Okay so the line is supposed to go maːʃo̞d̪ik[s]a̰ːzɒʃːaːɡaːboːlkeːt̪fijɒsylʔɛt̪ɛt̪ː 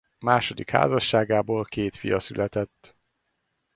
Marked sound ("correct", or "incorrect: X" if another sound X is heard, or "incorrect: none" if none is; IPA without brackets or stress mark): incorrect: h